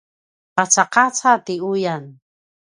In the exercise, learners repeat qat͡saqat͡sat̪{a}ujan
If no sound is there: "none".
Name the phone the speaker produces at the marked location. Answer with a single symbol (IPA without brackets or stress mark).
i